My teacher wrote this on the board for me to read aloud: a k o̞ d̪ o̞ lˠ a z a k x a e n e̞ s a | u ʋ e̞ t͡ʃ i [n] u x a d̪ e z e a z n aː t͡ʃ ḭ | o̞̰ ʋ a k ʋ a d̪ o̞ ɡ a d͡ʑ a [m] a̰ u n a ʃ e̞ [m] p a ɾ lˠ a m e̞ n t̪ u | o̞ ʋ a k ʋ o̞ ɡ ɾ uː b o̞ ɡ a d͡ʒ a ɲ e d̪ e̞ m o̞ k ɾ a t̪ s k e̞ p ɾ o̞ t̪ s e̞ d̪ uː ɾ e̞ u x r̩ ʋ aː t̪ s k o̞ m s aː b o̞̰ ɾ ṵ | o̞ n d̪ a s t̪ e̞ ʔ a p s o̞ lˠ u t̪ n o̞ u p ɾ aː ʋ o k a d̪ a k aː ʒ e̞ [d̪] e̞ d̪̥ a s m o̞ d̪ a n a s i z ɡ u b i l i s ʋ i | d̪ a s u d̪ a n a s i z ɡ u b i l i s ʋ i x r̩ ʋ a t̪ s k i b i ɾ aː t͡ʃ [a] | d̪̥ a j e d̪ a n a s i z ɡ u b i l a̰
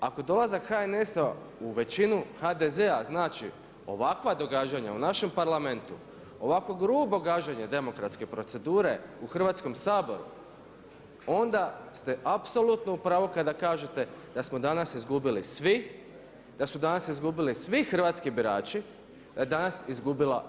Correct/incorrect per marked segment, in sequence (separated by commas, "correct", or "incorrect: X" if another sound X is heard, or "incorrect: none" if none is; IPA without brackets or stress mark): correct, incorrect: ɲ, correct, incorrect: t̪, incorrect: i